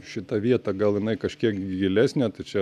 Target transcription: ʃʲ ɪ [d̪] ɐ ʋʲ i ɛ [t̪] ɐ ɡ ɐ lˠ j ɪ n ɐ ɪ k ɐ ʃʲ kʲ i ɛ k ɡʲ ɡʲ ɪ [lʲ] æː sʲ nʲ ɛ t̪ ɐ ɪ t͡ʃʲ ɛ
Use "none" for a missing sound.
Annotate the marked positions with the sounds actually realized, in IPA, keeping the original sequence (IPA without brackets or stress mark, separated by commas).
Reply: t̪, t̪, lʲ